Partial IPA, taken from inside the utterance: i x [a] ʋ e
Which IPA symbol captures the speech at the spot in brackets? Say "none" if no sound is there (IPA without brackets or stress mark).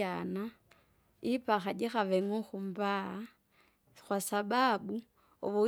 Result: a